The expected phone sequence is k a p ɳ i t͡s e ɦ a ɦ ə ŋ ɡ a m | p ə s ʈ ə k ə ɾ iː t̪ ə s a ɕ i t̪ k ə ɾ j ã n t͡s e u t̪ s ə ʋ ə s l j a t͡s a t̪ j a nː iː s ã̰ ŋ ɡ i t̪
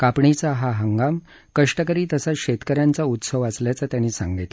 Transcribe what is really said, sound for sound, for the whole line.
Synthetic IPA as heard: k a p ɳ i t͡s a ɦ a ɦ ə ŋ ɡ a m | k ə ʂ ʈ ə k ə ɾ iː t̪ ə s a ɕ e t̪ k ə ɾ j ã n t͡s a u t̪ s ə ʋ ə s l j a t͡s a t̪ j a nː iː s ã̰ ŋ ɡ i t̪